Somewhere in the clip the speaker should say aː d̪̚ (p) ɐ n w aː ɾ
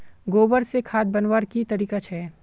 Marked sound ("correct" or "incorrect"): incorrect